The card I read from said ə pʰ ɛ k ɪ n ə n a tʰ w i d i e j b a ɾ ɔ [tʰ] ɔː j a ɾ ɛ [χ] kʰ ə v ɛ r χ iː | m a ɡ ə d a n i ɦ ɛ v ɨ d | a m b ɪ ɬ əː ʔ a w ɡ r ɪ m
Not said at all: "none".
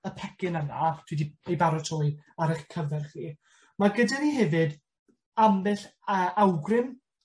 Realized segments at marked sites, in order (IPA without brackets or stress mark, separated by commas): tʰ, χ